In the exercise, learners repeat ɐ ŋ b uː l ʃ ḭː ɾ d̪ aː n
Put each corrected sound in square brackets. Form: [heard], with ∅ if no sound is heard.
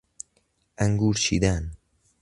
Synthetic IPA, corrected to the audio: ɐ ŋ [ɡ] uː [ɾ] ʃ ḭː [∅] d̪ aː n

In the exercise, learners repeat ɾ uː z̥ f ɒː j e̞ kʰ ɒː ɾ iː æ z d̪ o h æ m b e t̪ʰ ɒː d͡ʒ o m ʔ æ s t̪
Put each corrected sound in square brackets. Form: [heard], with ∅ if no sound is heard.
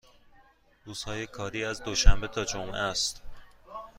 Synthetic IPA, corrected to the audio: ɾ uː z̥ [h] ɒː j e̞ kʰ ɒː ɾ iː æ z d̪ o [ʃ] æ m b e t̪ʰ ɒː d͡ʒ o m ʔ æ s t̪

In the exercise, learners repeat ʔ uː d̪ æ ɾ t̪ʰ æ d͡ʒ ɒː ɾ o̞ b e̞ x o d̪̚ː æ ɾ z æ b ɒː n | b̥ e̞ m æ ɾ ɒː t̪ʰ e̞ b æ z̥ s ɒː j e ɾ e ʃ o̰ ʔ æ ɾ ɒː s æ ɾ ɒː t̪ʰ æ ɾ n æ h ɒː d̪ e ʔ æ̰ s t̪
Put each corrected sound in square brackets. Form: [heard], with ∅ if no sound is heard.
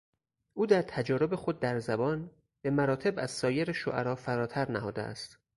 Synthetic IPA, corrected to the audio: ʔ uː d̪ æ ɾ t̪ʰ æ d͡ʒ ɒː ɾ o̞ b e̞ x o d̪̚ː æ ɾ z æ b ɒː n | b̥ e̞ m æ ɾ ɒː t̪ʰ e̞ b æ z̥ s ɒː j e ɾ e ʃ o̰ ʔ æ ɾ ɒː [f] æ ɾ ɒː t̪ʰ æ ɾ n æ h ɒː d̪ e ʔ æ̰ s t̪

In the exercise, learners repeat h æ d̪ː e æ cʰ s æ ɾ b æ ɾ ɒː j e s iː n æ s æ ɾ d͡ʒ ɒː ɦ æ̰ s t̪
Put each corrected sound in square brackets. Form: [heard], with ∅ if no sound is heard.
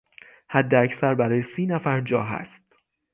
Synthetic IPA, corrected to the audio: h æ d̪ː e æ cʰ s æ ɾ b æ ɾ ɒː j e s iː n æ [f] æ ɾ d͡ʒ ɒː ɦ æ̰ s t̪

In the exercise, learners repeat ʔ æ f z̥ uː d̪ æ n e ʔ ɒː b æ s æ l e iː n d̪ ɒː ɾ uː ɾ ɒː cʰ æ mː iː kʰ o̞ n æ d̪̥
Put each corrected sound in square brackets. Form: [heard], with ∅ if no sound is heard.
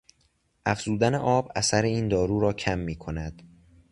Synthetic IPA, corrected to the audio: ʔ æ f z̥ uː d̪ æ n e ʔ ɒː b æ s æ [ɾ] e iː n d̪ ɒː ɾ uː ɾ ɒː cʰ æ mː iː kʰ o̞ n æ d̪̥

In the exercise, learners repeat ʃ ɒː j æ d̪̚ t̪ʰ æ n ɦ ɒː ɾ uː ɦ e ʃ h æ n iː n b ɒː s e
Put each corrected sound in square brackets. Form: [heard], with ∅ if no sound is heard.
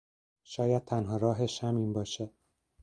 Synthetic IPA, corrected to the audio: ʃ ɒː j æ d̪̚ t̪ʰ æ n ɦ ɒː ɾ [ɒː] ɦ e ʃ h æ [m] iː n b ɒː [ʃ] e

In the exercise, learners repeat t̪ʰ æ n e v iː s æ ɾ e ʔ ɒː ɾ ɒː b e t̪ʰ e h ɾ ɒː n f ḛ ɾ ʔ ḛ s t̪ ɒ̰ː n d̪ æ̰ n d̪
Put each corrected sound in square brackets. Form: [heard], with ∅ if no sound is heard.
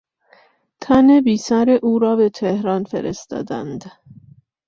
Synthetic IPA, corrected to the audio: t̪ʰ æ n e [b] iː s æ ɾ e ʔ [uː] ɾ ɒː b e t̪ʰ e h ɾ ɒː n f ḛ ɾ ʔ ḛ s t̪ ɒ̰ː [∅] d̪ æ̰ n d̪

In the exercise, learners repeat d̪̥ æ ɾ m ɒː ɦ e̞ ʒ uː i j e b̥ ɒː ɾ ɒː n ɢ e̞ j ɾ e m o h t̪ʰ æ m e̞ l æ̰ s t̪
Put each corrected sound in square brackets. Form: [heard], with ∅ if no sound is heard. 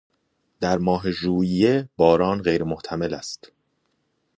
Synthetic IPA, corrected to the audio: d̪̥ æ ɾ m ɒː ɦ e̞ ʒ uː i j e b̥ ɒː ɾ ɒː n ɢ e̞ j ɾ e m o h t̪ʰ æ m e̞ l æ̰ s t̪

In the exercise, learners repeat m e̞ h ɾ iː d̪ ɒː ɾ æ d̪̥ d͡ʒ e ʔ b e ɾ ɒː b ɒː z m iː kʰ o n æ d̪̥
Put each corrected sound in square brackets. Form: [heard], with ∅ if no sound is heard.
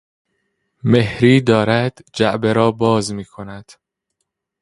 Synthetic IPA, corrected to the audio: m e̞ h ɾ iː d̪ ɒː ɾ æ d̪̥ d͡ʒ [æ] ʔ b e ɾ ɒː b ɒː z m iː kʰ o n æ d̪̥

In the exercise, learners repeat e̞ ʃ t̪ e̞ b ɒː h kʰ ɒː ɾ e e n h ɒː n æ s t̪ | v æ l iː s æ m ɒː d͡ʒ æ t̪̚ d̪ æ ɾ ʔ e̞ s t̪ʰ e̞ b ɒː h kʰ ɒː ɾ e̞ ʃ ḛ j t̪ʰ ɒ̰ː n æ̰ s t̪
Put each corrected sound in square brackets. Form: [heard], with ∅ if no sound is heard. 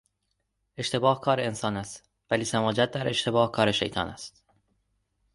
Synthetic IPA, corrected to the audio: e̞ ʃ t̪ e̞ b ɒː h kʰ ɒː ɾ e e n [s] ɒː n æ s t̪ | v æ l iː s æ m ɒː d͡ʒ æ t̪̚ d̪ æ ɾ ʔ e̞ [ʃ] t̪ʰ e̞ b ɒː h kʰ ɒː ɾ e̞ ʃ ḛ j t̪ʰ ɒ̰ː n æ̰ s t̪

